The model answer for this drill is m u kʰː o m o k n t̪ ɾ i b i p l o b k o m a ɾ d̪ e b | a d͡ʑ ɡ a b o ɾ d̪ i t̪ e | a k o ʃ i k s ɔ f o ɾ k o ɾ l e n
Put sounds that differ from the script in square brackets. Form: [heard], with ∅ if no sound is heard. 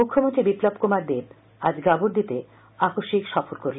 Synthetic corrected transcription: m u kʰː o m o [∅] n t̪ ɾ i b i p l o b k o m a ɾ d̪ e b | a d͡ʑ ɡ a b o ɾ d̪ i t̪ e | a k o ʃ i k [ʃ] ɔ f o ɾ k o ɾ l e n